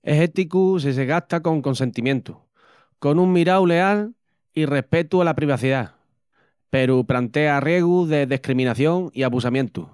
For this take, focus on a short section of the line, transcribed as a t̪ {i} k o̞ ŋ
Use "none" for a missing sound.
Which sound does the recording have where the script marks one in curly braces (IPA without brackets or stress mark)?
a